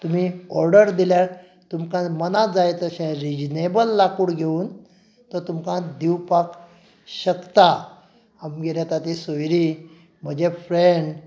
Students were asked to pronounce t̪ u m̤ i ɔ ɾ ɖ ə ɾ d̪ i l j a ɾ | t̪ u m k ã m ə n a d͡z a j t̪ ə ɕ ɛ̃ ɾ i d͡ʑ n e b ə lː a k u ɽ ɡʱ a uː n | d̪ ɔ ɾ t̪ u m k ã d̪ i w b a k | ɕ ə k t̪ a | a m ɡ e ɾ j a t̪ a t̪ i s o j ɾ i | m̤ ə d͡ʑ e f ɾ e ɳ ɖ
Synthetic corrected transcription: t̪ u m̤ i ɔ ɾ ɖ ə ɾ d̪ i l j a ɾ | t̪ u m k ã m ə n a d͡z a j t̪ ə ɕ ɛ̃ ɾ i d͡ʑ n e b ə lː a k u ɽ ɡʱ e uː n | t̪ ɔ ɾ t̪ u m k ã d̪ i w p a k | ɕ ə k t̪ a | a m ɡ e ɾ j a t̪ a t̪ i s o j ɾ i | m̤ ə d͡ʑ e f ɾ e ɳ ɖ